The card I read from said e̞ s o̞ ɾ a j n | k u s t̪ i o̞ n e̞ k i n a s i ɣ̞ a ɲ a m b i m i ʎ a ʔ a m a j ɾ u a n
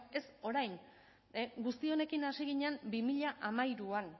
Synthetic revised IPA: e̞ s o̞ ɾ a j n | ɡ u s t̪ i o̞ n e̞ k i n a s i ɣ̞ i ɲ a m b i m i ʎ a ʔ a m a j ɾ u a n